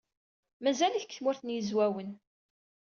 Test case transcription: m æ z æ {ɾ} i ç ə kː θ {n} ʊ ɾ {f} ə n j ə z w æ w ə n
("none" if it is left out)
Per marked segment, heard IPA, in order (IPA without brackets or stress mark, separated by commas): l, m, θ